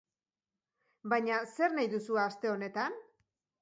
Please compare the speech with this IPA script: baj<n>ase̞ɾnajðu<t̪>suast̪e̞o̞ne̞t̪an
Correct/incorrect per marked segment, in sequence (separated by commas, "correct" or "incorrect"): incorrect, incorrect